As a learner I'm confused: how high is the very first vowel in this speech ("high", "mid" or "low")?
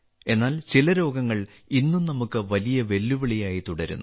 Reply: mid